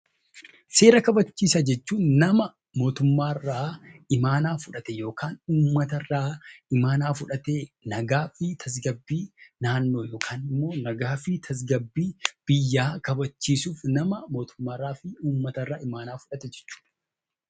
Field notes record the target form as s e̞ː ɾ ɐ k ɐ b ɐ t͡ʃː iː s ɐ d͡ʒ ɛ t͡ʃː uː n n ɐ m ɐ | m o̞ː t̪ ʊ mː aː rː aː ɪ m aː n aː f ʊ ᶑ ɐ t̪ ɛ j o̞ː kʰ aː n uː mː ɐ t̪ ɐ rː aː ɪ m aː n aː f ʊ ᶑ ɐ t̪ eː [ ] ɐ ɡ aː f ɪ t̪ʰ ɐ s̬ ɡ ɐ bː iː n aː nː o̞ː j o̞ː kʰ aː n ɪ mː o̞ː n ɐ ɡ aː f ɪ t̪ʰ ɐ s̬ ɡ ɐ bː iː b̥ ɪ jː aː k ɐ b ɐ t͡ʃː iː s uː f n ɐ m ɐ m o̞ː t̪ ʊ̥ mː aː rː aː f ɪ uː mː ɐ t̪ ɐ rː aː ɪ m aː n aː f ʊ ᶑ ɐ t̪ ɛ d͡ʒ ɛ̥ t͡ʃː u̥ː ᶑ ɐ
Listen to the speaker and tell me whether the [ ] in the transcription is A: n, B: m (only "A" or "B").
A